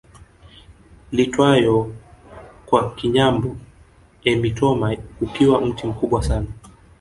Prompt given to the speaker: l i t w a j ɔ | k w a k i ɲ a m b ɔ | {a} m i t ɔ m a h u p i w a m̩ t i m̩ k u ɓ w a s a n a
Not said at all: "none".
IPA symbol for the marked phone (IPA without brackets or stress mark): ɛ